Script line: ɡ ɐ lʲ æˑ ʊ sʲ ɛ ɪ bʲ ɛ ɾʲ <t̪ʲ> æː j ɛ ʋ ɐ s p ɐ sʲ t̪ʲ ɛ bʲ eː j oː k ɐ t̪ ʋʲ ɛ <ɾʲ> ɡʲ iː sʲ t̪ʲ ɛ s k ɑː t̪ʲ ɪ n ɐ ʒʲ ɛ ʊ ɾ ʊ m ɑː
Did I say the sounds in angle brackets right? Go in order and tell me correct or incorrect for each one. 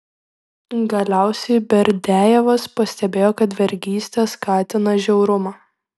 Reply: incorrect: d̪ʲ, correct

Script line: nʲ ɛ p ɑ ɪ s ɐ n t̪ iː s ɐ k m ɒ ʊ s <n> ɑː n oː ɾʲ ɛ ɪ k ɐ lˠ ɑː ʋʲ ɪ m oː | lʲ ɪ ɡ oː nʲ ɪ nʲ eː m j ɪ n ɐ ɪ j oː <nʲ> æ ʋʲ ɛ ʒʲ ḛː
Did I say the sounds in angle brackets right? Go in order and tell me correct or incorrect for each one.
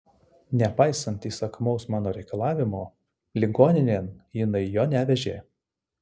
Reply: incorrect: m, correct

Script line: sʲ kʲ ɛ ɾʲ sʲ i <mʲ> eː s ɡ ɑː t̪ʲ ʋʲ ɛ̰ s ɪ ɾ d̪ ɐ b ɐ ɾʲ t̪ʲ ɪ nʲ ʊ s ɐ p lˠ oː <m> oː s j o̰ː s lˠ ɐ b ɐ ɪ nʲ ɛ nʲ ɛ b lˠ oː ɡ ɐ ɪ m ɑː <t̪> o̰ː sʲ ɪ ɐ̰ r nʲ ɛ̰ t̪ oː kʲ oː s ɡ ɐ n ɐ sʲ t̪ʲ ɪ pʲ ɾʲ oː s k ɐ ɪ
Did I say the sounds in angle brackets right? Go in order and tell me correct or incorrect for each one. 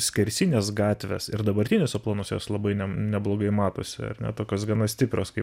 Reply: incorrect: nʲ, incorrect: n, correct

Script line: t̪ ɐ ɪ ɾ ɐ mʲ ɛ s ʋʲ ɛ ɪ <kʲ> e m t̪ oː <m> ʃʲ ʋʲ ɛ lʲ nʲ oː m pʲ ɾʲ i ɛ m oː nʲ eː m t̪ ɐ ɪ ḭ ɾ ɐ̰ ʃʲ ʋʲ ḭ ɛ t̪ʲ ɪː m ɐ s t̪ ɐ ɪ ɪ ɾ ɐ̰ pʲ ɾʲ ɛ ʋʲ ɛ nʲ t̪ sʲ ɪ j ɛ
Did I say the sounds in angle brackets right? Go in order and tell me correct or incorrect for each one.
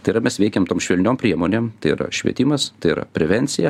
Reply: correct, correct

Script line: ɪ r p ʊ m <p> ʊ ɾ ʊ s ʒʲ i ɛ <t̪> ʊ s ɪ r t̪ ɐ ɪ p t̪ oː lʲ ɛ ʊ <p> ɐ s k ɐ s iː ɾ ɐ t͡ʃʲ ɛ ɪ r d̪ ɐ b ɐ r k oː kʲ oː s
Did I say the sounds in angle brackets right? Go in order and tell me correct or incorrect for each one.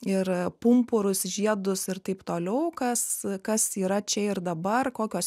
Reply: correct, incorrect: d̪, incorrect: k

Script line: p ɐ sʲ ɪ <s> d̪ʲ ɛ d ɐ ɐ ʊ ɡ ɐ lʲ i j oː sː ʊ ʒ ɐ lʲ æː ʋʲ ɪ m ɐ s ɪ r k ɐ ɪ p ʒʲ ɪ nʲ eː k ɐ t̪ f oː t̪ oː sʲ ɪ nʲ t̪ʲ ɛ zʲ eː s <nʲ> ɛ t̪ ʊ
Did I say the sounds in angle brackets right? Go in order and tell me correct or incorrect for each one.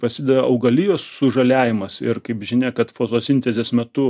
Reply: incorrect: none, incorrect: mʲ

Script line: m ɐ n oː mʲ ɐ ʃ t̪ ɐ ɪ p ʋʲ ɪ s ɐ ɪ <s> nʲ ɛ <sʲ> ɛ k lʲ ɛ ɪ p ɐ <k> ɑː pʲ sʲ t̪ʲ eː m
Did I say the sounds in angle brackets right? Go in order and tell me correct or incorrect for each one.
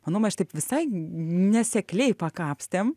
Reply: incorrect: none, correct, correct

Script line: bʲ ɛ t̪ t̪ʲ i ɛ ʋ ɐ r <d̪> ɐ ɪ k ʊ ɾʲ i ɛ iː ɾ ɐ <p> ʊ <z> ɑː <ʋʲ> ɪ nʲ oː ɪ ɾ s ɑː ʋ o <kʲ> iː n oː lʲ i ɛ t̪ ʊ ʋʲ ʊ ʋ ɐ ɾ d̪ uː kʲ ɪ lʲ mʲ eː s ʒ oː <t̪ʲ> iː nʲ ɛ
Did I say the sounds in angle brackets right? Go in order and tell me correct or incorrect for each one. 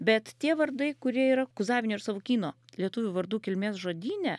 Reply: correct, incorrect: k, correct, correct, correct, incorrect: d̪ʲ

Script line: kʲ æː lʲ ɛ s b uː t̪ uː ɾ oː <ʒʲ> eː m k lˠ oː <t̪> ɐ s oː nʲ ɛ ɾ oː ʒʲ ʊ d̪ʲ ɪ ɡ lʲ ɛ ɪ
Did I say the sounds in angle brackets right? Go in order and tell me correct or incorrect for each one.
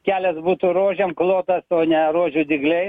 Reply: correct, correct

